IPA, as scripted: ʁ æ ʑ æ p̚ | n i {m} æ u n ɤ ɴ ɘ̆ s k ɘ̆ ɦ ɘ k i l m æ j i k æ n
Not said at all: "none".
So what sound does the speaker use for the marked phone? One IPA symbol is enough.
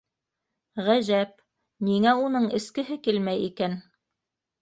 ŋ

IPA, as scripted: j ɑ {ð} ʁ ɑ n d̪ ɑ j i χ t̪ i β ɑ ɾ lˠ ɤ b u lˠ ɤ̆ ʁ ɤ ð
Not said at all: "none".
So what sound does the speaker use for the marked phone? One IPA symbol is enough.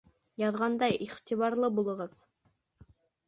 ð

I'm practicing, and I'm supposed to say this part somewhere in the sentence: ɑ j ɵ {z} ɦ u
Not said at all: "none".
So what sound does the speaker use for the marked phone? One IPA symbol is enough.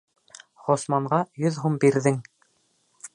ð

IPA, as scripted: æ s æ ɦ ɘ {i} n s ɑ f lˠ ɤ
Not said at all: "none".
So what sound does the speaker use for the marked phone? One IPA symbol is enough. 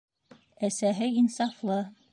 i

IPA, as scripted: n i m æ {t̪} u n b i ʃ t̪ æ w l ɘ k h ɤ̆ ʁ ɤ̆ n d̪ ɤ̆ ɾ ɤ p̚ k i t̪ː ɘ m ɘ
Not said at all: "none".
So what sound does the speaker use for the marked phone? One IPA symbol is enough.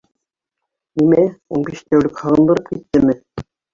none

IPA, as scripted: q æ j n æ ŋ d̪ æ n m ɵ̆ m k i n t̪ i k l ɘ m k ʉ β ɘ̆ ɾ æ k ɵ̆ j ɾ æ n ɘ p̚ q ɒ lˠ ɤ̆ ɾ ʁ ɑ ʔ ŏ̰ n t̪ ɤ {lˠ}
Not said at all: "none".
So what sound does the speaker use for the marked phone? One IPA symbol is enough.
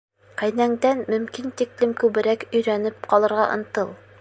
lˠ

